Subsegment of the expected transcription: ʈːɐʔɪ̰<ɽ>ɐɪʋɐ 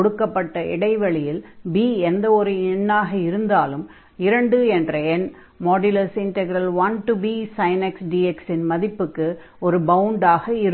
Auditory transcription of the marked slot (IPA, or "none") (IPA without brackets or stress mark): ɽ